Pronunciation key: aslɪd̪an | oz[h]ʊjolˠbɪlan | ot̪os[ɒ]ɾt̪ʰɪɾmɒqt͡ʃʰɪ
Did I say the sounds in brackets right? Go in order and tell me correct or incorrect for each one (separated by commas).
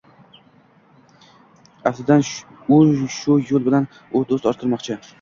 incorrect, correct